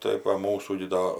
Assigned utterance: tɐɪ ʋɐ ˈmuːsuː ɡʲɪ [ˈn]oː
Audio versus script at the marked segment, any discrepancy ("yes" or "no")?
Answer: yes